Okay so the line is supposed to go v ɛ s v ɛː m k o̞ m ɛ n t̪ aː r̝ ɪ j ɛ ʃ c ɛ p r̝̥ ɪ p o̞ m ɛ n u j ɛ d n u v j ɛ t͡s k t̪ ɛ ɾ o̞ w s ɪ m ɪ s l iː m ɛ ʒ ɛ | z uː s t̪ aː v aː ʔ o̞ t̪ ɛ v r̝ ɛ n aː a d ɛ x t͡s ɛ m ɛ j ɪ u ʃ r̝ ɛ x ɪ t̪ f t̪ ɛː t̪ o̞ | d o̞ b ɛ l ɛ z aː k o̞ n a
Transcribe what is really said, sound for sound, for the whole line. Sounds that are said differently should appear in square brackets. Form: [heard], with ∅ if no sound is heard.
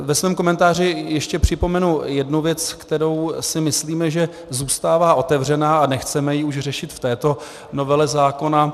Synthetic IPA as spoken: v ɛ s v ɛː m k o̞ m ɛ n t̪ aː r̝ ɪ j ɛ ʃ c ɛ p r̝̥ ɪ p o̞ m ɛ n u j ɛ d n u v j ɛ t͡s k t̪ ɛ ɾ o̞ w s ɪ m ɪ s l iː m ɛ ʒ ɛ | z uː s t̪ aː v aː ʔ o̞ t̪ ɛ v r̝ ɛ n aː a [n] ɛ x t͡s ɛ m ɛ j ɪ u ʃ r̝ ɛ [ʃ] ɪ t̪ f t̪ ɛː t̪ o̞ | [n] o̞ [v] ɛ l ɛ z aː k o̞ n a